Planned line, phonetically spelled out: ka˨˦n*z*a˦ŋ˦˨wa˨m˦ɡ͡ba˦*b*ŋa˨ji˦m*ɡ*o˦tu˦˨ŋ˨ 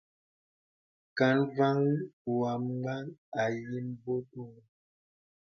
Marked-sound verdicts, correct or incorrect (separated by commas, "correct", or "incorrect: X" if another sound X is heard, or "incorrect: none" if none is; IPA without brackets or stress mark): incorrect: v, incorrect: none, incorrect: b